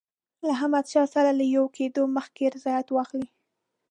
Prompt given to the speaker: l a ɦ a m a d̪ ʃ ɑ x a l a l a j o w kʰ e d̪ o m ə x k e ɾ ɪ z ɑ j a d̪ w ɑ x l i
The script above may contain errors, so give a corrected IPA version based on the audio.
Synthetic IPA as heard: l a ɦ a m a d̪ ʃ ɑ s a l a l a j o w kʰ e d̪ o m ə x k e ɾ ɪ z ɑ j a t̪ w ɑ x l i